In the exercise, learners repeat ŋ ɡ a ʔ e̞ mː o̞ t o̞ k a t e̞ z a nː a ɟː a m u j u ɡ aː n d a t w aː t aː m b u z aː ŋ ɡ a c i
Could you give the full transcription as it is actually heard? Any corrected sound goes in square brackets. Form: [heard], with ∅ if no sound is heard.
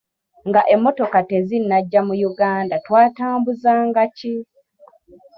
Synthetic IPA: ŋ ɡ a ʔ e̞ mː o̞ t o̞ k a t e̞ z [i] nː a ɟː a m u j u ɡ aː n d a t w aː t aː m b u z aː ŋ ɡ a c i